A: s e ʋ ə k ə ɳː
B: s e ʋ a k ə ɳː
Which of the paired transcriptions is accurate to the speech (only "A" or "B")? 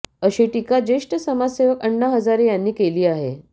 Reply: A